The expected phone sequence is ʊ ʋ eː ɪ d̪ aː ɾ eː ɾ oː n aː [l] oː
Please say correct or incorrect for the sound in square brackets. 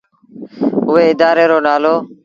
correct